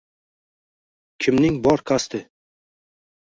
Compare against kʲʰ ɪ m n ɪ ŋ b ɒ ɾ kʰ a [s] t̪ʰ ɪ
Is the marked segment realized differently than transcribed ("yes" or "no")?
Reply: no